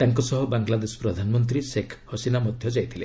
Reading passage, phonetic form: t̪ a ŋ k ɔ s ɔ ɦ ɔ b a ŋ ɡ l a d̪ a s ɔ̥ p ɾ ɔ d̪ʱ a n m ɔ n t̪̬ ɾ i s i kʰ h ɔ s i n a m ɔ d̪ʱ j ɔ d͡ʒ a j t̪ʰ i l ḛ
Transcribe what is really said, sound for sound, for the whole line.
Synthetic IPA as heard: t̪ a ŋ k ɔ s ɔ ɦ ɔ b a ŋ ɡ l a d̪ e s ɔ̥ p ɾ ɔ d̪ʱ a n m ɔ n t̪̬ ɾ i s e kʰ h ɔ s i n a m ɔ d̪ʱ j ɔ d͡ʒ a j t̪ʰ i l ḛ